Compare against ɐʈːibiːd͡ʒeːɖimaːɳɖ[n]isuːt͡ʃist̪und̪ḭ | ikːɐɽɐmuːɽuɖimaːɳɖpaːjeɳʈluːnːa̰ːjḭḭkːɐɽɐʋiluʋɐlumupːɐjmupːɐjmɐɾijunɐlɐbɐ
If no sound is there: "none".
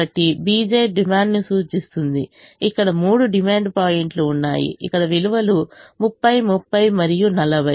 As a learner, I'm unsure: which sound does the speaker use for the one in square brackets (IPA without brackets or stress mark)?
n